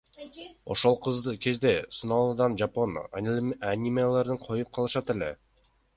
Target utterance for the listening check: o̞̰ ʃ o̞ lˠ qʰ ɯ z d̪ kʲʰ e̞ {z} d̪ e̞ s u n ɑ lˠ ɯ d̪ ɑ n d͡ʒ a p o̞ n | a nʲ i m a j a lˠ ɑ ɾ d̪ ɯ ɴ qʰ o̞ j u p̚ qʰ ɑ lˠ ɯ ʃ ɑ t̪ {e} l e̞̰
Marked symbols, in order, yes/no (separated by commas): yes, yes